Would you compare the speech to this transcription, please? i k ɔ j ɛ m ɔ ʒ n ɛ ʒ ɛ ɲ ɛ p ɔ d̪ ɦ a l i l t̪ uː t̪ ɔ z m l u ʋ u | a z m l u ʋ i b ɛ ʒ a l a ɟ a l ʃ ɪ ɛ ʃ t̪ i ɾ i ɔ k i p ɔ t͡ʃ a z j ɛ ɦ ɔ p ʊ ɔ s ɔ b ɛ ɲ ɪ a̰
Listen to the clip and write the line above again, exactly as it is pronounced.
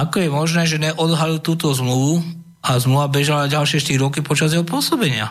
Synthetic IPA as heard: a k ɔ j ɛ m ɔ ʒ n ɛː ʒ ɛ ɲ ɛ ʔ ɔ d̪ ɦ a l i l t̪ uː t̪ ɔ z m l u ʋ u | a z m l u ʋ a b ɛ ʒ a l a ɟ a l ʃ ɪ ɛ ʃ t̪ i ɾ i ɔ k i p ɔ t͡ʃ a z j ɛ ɦ ɔ p ʊ ɔ s ɔ b ɛ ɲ ɪ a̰